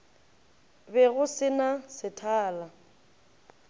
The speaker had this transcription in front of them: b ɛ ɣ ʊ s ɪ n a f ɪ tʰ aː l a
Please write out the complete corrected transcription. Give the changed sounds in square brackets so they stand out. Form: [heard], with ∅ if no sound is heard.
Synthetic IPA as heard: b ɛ ɣ ʊ s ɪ n a [s] ɪ tʰ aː l a